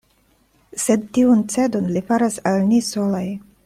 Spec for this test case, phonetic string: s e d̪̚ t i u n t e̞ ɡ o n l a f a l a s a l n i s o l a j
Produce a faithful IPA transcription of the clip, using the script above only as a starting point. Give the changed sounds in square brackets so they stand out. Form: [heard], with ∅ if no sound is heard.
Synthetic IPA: s e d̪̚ t i u n [t͡s] e̞ [d] o n l [i] f a [ɾ] a s a l n i s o l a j